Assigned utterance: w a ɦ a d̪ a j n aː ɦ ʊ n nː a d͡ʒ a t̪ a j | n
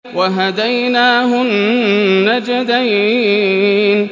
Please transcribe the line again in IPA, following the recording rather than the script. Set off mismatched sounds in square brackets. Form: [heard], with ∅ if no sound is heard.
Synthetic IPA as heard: w a ɦ a d̪ a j n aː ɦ ʊ n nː a d͡ʒ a [d̪] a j | n